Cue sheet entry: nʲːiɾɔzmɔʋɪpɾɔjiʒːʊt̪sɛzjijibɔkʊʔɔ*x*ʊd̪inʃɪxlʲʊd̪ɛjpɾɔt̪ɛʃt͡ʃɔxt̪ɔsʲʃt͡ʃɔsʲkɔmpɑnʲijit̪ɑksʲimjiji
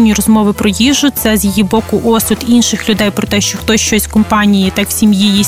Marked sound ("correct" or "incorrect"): incorrect